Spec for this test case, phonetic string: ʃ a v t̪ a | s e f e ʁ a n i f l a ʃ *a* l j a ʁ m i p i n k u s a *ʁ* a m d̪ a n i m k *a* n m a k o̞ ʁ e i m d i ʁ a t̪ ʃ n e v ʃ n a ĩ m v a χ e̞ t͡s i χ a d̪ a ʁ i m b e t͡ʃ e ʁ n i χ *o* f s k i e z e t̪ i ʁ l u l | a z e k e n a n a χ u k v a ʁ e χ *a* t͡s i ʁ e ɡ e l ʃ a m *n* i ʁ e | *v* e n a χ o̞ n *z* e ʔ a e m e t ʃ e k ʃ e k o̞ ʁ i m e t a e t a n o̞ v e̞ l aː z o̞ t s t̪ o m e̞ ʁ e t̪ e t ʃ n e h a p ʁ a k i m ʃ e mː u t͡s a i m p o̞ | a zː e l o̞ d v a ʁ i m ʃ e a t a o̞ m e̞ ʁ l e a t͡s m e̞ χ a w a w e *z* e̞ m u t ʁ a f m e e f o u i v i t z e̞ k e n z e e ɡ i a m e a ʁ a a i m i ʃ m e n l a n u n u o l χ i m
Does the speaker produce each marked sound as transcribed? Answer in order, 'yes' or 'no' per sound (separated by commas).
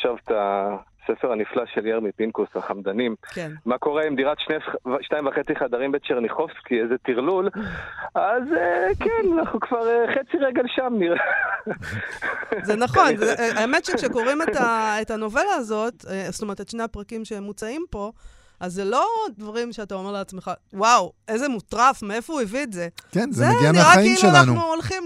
no, no, no, yes, no, yes, no, yes, yes